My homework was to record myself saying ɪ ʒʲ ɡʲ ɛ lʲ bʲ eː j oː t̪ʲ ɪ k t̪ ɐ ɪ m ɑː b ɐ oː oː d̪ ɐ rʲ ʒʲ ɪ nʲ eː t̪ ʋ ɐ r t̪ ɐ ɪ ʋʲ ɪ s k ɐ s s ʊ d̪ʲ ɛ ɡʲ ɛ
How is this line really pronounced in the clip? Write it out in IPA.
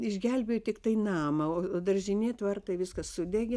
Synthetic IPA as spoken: ɪ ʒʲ ɡʲ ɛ lʲ bʲ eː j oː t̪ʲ ɪ k t̪ ɐ ɪ n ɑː m ɐ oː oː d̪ ɐ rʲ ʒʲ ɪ nʲ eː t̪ ʋ ɐ r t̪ ɐ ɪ ʋʲ ɪ s k ɐ s s ʊ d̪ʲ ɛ ɡʲ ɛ